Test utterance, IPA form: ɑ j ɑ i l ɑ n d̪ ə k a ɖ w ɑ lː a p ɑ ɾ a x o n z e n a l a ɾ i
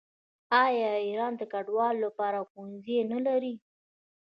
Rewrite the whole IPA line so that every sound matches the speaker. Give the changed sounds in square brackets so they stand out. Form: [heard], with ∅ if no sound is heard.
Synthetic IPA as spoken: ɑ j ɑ i [ɾ] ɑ n d̪ ə k a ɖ w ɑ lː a p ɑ ɾ a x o n z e n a l a ɾ i